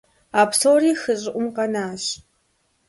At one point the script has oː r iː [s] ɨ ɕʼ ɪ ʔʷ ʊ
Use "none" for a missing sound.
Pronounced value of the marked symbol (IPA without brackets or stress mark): x